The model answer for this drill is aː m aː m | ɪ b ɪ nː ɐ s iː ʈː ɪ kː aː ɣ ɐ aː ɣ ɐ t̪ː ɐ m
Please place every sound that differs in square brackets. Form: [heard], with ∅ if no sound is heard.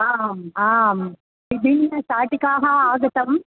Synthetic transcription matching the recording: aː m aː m | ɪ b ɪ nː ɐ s [aː] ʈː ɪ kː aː ɣ ɐ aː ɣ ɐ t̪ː ɐ m